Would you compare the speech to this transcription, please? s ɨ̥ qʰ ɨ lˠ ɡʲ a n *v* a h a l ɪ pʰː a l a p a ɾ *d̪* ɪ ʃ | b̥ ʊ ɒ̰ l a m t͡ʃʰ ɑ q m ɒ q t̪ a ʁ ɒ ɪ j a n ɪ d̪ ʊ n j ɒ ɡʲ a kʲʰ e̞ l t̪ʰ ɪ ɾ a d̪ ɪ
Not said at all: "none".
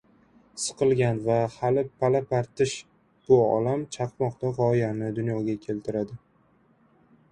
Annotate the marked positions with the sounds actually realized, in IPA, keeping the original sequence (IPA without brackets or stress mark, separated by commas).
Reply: v, t̪